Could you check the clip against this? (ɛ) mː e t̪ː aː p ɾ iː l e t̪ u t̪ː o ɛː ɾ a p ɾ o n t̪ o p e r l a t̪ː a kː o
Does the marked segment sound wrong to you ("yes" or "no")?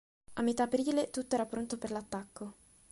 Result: yes